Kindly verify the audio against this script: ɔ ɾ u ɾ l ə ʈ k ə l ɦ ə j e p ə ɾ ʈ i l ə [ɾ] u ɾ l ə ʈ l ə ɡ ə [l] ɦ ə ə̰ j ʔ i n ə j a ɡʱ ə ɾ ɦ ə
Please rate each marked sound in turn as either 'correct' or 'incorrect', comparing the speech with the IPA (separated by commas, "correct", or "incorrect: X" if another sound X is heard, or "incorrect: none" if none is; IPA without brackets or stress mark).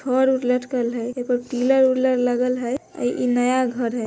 correct, correct